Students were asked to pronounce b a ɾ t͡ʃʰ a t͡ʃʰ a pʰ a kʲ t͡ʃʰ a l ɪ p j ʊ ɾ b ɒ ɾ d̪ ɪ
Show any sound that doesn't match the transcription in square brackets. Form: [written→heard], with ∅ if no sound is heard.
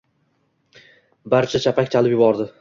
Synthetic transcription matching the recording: b a ɾ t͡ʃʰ a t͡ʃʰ a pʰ a kʲ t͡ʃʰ a l ɪ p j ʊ [ɾ→∅] b ɒ ɾ d̪ ɪ